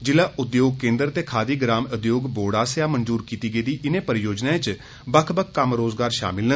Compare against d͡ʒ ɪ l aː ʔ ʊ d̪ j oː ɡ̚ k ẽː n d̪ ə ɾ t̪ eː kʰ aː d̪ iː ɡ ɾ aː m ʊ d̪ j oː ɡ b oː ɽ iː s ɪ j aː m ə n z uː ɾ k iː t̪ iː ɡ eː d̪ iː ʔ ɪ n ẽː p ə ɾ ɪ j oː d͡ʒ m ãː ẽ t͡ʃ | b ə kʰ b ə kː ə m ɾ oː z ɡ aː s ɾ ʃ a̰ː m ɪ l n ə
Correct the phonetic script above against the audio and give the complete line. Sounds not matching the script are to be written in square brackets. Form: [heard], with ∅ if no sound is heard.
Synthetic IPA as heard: d͡ʒ ɪ l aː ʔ ʊ d̪ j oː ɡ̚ k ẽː n d̪ ə ɾ t̪ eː kʰ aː d̪ iː ɡ ɾ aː m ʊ d̪ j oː ɡ b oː ɽ [aː] s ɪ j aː m ə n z uː ɾ k iː t̪ iː ɡ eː d̪ iː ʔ ɪ n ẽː p ə ɾ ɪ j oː d͡ʒ [n] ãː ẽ t͡ʃ | b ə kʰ b ə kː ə m ɾ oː z ɡ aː [∅] ɾ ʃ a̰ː m ɪ l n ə

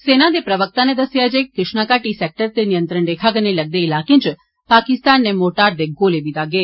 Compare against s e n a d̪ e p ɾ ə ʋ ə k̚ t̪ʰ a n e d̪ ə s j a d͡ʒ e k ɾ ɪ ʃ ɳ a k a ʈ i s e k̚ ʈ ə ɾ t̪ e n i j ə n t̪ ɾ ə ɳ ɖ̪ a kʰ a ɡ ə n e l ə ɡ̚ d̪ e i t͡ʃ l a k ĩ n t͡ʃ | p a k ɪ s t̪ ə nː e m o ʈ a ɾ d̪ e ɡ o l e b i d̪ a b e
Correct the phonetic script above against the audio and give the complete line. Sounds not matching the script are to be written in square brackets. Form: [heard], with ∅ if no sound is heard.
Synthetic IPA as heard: s e n a d̪ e p ɾ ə ʋ ə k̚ [t̪] a n e d̪ ə s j a d͡ʒ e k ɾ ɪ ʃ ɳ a k a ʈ i s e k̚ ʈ ə ɾ t̪ e n i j ə n t̪ ɾ ə ɳ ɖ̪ [e] kʰ a ɡ ə n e l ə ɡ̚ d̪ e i [∅] l a k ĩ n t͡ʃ | p a k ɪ s t̪ [a] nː e m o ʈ a ɾ d̪ e ɡ o l e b i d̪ a [ɡ] e

